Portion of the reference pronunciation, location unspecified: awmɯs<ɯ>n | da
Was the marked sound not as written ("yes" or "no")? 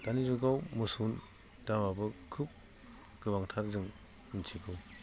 yes